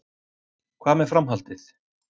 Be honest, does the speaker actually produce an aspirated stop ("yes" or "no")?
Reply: yes